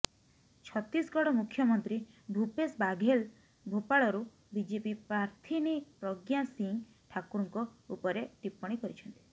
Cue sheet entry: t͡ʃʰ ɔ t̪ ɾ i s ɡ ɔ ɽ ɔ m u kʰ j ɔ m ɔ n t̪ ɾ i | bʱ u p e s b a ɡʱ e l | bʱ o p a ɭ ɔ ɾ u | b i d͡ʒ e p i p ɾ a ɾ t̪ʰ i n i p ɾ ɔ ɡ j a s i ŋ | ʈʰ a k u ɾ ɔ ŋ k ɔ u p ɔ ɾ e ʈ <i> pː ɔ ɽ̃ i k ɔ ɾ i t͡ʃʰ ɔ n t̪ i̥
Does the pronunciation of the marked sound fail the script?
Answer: no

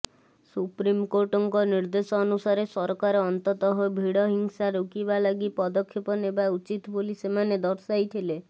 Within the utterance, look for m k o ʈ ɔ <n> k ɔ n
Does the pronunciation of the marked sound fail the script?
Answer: yes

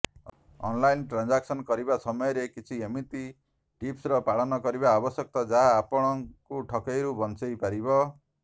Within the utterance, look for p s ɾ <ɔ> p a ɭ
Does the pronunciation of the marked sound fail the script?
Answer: no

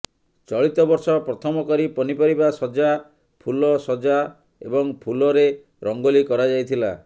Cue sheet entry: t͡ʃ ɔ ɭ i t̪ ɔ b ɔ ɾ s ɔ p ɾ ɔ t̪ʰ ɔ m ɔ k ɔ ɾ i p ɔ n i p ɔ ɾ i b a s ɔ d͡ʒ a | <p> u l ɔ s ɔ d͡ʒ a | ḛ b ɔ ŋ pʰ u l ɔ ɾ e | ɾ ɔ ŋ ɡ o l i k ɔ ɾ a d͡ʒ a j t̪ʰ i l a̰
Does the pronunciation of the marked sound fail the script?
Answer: yes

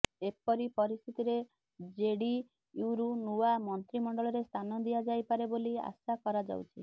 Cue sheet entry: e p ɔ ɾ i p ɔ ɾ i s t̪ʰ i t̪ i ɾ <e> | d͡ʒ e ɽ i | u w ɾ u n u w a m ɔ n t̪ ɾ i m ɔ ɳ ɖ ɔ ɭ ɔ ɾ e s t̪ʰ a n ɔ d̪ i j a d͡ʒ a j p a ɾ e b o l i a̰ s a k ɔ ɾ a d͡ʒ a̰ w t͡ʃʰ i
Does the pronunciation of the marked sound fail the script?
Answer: no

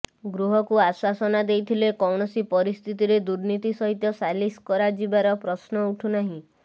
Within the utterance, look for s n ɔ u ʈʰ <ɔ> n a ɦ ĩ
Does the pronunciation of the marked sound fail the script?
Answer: yes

